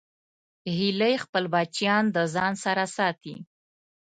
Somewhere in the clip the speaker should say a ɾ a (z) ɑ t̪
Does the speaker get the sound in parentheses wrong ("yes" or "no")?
yes